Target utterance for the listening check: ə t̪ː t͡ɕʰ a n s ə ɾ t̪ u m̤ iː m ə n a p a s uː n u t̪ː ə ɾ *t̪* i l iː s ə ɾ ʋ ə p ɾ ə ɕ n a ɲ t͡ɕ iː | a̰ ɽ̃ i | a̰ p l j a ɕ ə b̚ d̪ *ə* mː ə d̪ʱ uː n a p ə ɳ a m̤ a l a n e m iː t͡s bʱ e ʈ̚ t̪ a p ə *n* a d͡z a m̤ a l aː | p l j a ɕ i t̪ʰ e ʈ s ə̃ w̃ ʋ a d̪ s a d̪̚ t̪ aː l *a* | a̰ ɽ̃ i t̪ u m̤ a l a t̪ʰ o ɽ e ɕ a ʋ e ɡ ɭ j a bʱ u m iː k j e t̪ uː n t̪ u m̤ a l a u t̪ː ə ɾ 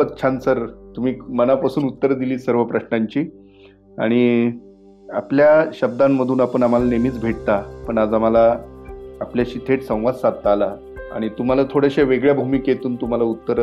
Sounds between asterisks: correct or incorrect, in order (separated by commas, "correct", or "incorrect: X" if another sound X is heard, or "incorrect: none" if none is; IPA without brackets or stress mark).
incorrect: d̪, incorrect: a, incorrect: ɳ, correct